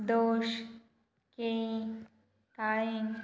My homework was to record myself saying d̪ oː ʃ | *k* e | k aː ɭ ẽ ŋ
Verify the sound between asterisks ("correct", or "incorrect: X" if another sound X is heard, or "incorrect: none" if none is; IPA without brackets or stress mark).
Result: correct